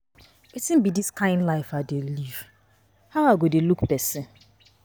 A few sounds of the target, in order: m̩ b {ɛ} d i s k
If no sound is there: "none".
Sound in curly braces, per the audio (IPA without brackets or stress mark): i